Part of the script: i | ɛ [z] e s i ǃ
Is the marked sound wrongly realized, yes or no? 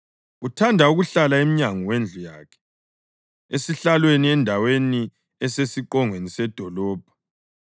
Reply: yes